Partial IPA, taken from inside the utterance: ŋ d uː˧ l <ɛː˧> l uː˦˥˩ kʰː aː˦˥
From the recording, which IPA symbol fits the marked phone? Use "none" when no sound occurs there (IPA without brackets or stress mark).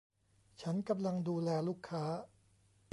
ɛː˧